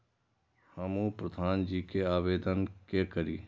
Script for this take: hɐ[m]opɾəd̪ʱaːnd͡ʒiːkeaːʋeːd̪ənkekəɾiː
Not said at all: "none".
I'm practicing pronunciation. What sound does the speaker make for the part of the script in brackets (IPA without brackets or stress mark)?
m